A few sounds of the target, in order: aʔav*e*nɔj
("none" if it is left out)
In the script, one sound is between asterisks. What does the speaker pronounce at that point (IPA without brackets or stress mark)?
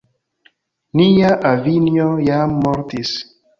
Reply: i